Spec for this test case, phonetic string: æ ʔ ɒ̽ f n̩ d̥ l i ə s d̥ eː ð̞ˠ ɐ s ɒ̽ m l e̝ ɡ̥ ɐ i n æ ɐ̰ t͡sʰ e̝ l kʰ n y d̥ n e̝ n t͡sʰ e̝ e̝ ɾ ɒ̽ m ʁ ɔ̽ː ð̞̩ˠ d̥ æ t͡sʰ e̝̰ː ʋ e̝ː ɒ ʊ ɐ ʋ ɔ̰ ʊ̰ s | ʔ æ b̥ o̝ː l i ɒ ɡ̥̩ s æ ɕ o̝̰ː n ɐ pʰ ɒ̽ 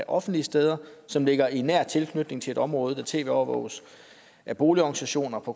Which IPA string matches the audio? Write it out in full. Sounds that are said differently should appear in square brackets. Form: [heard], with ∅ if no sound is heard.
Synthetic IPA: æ ʔ ɒ̽ f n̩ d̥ l i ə s d̥ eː ð̞ˠ ɐ s ɒ̽ m l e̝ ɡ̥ ɐ i n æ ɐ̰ t͡sʰ e̝ l kʰ n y d̥ n e̝ [ŋ] t͡sʰ e̝ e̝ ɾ ɒ̽ m ʁ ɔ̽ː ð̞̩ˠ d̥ æ t͡sʰ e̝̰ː ʋ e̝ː ɒ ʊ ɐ ʋ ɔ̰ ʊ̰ s | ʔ æ b̥ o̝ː l i ɒ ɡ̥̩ s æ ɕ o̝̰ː n ɐ pʰ ɒ̽